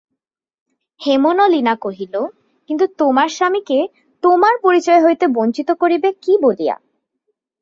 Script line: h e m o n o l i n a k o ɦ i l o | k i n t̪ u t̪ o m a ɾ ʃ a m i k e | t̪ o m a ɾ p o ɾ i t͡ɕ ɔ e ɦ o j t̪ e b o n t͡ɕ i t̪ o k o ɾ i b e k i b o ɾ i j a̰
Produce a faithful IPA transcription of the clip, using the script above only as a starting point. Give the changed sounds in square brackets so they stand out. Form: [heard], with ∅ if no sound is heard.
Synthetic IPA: h e m o n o l i n a k o ɦ i l o | k i n t̪ u t̪ o m a ɾ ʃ a m i k e | t̪ o m a ɾ p o ɾ i t͡ɕ ɔ e ɦ o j t̪ e b o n t͡ɕ i t̪ o k o ɾ i b e k i b o [l] i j a̰